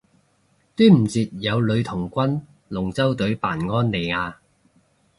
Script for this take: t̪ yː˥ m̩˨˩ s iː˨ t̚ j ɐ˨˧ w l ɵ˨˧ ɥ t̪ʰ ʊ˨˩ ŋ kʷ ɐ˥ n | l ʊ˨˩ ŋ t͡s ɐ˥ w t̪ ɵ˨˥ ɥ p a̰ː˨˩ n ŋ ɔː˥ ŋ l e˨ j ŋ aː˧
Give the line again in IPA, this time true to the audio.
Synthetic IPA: t̪ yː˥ m̩˨˩ t͡s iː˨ t̚ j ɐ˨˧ w l ɵ˨˧ ɥ t̪ʰ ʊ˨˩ ŋ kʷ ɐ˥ n | l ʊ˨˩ ŋ t͡s ɐ˥ w t̪ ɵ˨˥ ɥ p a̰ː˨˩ n ŋ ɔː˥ n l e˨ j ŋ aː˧